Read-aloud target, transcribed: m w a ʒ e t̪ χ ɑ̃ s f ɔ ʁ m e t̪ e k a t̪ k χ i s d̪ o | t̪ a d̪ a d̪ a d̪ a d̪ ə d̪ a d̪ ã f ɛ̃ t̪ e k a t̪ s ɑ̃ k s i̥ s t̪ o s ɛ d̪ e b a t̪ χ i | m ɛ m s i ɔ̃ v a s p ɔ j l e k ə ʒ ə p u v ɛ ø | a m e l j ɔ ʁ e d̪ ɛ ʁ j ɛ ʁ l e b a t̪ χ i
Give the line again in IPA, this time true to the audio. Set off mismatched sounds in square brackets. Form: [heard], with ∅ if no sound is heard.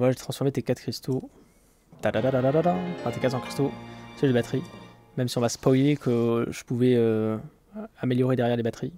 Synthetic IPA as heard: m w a ʒ e t̪ χ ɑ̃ s f ɔ ʁ m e t̪ e k a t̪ k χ i s [t̪] o | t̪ a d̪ a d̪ a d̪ a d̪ [a] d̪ a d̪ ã f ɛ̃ t̪ e k a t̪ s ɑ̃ k [χ] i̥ s t̪ o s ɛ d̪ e b a t̪ χ i | m ɛ m s i ɔ̃ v a s p ɔ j l e k ə ʒ ə p u v ɛ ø | a m e l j ɔ ʁ e d̪ ɛ ʁ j ɛ ʁ l e b a t̪ χ i

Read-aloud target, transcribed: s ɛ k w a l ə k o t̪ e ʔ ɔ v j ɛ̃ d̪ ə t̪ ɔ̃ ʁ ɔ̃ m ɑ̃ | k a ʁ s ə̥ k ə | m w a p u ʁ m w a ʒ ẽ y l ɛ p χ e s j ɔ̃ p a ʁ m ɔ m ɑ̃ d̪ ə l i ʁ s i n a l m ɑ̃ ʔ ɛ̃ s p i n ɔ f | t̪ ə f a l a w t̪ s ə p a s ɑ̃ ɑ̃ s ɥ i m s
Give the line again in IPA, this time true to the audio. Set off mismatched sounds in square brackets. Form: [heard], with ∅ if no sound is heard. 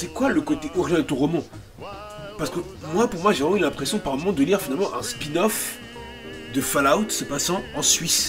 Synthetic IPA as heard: s ɛ k w a l ə k o t̪ e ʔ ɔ [ʁ] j ɛ̃ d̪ ə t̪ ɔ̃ ʁ [ɔ] m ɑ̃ | [p] a ʁ s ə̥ k ə | m w a p u ʁ m w a ʒ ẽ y l [ɛ̃] p χ e s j ɔ̃ p a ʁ m ɔ m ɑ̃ d̪ ə l i ʁ [f] i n a l m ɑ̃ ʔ ɛ̃ s p i n ɔ f | [d̪] ə f a l a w t̪ s ə p a s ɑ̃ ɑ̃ s ɥ i [∅] s

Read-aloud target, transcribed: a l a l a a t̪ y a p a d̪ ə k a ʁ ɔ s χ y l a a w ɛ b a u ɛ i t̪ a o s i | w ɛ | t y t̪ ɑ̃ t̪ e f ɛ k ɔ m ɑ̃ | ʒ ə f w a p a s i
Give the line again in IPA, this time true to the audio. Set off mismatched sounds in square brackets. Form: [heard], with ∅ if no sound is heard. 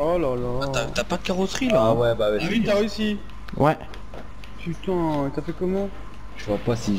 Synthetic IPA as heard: a l a l a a t̪ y a p a d̪ ə k a ʁ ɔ s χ [i] l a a w ɛ b a [w] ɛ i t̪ a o s i | w ɛ | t y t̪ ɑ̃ t̪ [a] f ɛ k ɔ m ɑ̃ | ʒ ə [v] w a p a s i

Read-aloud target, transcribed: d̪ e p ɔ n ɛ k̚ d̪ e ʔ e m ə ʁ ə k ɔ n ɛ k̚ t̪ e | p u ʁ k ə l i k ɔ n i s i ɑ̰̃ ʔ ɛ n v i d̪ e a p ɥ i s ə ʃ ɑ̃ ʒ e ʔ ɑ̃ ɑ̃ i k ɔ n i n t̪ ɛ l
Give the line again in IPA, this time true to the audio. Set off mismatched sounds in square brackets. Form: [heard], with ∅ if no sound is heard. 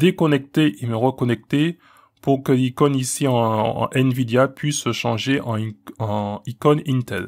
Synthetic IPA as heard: d̪ e [k] ɔ n ɛ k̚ [t̪] e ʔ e m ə ʁ ə k ɔ n ɛ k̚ t̪ e | p u ʁ k ə l i k ɔ n i s i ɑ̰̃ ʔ ɛ n v i d̪ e a p ɥ i s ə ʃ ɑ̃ ʒ e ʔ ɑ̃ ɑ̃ i k ɔ n i n t̪ ɛ l

